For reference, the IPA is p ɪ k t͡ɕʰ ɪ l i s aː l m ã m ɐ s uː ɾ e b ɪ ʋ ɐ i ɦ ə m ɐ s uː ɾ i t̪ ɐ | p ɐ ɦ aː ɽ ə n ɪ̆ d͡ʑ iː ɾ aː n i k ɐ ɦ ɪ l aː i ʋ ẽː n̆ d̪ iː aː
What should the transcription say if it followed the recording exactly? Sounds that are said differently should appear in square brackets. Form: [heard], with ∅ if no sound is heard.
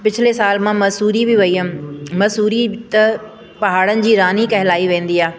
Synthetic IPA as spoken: p ɪ [∅] t͡ɕʰ ɪ l [e] s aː l m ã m ɐ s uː ɾ [i] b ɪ ʋ ɐ i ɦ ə m ɐ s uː ɾ i t̪ ɐ | p ɐ ɦ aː ɽ ə n ɪ̆ d͡ʑ iː ɾ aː n i k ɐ ɦ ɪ l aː i ʋ ẽː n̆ d̪ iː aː